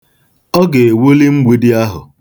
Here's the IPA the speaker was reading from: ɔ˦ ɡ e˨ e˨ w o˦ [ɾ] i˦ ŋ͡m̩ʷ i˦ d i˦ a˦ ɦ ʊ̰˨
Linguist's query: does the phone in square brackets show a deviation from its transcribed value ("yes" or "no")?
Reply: yes